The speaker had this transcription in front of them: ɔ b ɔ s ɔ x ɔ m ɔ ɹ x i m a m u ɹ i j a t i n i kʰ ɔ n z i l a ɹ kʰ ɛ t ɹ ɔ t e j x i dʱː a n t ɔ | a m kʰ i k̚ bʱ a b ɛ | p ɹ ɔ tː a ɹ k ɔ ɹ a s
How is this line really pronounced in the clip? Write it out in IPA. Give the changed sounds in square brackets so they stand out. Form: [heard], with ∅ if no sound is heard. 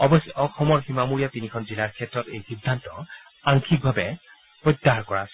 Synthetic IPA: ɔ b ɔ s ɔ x ɔ m ɔ ɹ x i m a m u ɹ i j a t i n i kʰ ɔ n z i l a ɹ kʰ ɛ t ɹ ɔ t e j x i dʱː a n t ɔ | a [ŋ] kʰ i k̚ bʱ a b ɛ | p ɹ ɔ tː a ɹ k ɔ ɹ a s